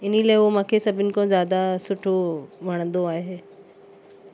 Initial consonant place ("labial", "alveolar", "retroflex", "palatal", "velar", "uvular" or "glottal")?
alveolar